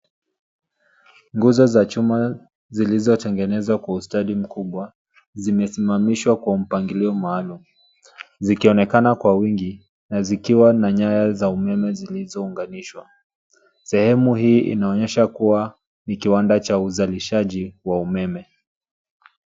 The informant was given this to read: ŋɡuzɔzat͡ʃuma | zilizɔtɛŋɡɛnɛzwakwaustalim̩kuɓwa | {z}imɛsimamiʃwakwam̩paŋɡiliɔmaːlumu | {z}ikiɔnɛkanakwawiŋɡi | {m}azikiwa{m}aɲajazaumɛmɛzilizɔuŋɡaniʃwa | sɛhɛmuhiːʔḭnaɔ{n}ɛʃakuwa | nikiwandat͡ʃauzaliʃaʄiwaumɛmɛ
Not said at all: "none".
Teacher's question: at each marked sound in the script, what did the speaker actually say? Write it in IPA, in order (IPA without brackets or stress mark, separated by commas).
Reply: z, z, n, n, ɲ